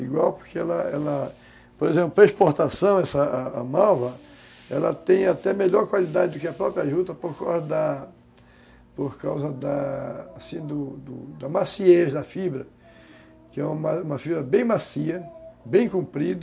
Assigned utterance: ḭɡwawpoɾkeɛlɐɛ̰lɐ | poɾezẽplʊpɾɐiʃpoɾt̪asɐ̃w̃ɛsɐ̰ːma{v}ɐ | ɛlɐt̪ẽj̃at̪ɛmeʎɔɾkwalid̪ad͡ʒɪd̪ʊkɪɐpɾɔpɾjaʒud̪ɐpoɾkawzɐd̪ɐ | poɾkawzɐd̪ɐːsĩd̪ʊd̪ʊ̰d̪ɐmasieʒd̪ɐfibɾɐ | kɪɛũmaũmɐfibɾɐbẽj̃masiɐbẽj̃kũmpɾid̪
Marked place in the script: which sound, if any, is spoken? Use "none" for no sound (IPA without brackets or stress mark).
v